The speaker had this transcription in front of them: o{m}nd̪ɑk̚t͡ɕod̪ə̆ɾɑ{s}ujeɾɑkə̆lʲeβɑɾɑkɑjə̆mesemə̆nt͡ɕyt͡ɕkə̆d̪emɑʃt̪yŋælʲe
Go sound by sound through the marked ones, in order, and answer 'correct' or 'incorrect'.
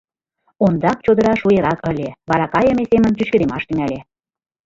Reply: incorrect: none, incorrect: ʃ

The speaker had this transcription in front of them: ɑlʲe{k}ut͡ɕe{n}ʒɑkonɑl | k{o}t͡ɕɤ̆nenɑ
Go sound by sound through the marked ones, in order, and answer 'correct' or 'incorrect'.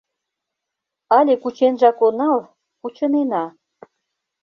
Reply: correct, correct, incorrect: u

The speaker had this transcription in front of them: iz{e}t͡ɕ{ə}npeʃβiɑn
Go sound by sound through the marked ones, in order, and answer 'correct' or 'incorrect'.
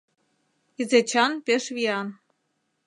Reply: correct, incorrect: ɑ

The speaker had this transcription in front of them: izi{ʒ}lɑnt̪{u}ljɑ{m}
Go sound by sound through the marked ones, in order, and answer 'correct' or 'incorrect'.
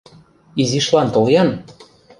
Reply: incorrect: ʃ, incorrect: o, incorrect: n

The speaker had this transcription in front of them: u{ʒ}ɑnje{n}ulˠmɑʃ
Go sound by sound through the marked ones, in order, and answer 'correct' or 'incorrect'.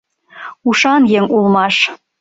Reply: incorrect: ʃ, incorrect: ŋ

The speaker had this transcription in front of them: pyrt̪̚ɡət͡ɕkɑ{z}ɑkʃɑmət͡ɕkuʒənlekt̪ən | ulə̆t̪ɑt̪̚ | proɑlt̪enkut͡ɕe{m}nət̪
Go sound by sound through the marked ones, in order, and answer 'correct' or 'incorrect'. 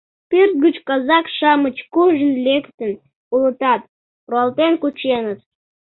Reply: correct, incorrect: none

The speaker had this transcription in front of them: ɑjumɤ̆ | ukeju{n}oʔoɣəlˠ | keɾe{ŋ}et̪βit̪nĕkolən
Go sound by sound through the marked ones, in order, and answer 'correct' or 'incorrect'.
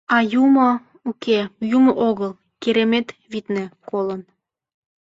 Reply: incorrect: m, incorrect: m

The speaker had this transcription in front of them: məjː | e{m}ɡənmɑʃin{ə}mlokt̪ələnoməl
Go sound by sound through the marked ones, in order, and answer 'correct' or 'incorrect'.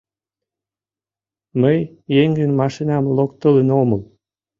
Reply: incorrect: ŋ, incorrect: ɑ

